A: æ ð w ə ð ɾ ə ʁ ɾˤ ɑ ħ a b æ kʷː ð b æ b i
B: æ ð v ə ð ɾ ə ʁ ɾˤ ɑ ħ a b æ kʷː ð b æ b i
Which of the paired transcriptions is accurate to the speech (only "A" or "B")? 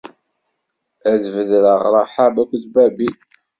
B